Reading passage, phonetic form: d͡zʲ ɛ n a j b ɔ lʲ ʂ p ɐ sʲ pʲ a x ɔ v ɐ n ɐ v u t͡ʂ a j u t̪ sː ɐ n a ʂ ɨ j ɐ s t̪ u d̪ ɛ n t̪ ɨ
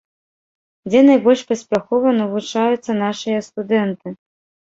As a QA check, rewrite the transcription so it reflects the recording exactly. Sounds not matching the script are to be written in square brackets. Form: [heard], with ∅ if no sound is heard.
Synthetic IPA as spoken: d͡zʲ ɛ n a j b ɔ lʲ ʂ p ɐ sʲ pʲ a x ɔ v ɐ n ɐ v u t͡ʂ a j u t̪ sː ɐ n a ʂ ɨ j ɐ s t̪ u d̪ ɛ n t̪ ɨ